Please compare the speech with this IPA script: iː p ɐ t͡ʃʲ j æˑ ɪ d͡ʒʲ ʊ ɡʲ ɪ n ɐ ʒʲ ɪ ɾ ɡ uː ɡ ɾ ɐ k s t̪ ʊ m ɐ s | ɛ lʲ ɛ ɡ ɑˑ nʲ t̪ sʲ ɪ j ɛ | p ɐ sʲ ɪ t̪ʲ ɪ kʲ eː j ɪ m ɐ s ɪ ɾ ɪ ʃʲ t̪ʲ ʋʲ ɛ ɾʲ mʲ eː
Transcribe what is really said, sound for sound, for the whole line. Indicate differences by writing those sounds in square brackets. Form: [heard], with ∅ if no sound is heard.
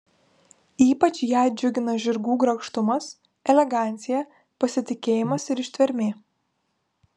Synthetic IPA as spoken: iː p ɐ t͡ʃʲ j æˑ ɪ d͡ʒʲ ʊ ɡʲ ɪ n ɐ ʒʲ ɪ ɾ ɡ uː ɡ ɾ ɐ k [ʃ] t̪ ʊ m ɐ s | ɛ lʲ ɛ ɡ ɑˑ nʲ t̪ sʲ ɪ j ɛ | p ɐ sʲ ɪ t̪ʲ ɪ kʲ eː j ɪ m ɐ s ɪ ɾ ɪ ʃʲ t̪ʲ ʋʲ ɛ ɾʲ mʲ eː